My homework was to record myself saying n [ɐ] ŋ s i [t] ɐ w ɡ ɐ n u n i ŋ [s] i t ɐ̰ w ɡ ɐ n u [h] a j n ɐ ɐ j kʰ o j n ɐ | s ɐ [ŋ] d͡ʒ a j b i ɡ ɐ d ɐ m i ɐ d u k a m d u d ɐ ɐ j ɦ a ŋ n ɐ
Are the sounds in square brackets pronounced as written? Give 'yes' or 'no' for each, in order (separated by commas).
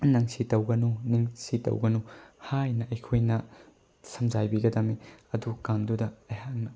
yes, yes, yes, yes, no